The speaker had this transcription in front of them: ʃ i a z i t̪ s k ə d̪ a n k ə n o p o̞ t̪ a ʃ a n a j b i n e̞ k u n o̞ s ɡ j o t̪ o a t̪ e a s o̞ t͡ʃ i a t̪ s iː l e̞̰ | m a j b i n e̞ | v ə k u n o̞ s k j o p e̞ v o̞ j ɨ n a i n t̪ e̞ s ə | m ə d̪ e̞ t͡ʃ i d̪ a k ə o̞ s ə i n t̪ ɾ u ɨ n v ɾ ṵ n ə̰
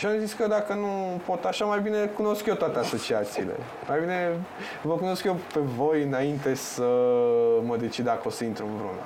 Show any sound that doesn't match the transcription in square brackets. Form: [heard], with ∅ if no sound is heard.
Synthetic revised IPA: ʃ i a z i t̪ s k ə d̪ a [∅] k ə n [u] p o̞ t̪ a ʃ a [m] a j b i n e̞ k u n o̞ s [k] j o t̪ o a t̪ e a s o̞ t͡ʃ i a t̪ s iː l e̞̰ | m a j b i n e̞ | v ə k u n o̞ s k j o p e̞ v o̞ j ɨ n a i n t̪ e̞ s ə | m ə d̪ e̞ t͡ʃ i d̪ a k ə o̞ s ə i n t̪ ɾ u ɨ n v ɾ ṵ n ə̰